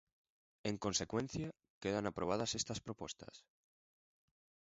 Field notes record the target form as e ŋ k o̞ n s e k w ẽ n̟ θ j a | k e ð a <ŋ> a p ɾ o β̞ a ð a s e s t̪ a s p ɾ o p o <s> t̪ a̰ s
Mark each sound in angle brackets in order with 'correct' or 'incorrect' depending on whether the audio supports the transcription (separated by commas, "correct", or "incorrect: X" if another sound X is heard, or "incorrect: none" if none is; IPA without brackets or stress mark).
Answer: incorrect: n, correct